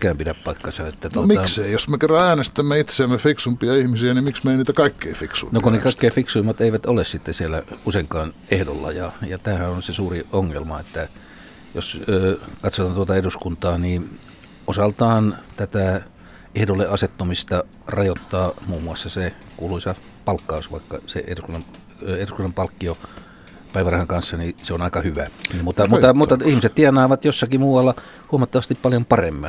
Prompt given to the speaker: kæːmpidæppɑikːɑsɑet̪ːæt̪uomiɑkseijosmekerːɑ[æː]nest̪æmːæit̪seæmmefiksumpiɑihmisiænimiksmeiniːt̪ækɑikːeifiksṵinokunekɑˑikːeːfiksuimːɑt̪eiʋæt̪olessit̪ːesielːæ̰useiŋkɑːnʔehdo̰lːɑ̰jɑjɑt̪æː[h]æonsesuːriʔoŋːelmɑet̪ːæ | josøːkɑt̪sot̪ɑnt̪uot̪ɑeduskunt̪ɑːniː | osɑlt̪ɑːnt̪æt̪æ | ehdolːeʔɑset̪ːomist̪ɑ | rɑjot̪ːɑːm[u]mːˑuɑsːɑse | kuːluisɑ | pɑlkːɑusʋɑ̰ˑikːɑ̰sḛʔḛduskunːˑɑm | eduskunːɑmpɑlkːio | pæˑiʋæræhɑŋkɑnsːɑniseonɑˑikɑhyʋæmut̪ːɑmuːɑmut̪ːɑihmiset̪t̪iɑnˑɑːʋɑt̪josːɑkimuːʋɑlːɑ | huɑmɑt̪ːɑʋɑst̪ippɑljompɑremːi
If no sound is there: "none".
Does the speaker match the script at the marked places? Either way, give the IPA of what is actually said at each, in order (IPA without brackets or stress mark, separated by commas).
æː, h, uː